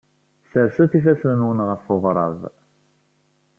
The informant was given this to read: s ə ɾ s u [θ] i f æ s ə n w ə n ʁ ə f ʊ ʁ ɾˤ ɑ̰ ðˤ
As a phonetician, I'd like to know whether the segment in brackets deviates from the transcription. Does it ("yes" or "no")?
no